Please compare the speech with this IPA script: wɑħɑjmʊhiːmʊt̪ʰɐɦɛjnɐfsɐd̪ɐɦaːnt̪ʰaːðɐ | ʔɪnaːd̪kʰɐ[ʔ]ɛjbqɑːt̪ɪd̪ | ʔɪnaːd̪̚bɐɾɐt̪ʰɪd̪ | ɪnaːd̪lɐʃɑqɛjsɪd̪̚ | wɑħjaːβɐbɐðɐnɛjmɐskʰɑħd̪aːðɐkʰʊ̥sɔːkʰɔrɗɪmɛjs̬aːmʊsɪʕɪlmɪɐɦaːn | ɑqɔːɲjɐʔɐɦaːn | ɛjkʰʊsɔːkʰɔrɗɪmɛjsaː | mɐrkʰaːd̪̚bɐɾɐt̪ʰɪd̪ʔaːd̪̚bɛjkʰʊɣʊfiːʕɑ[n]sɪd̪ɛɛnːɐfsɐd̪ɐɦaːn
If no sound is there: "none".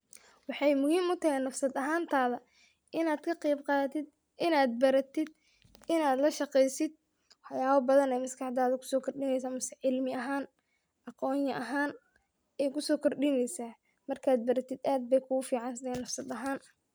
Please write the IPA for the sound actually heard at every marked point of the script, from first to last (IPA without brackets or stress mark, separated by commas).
q, n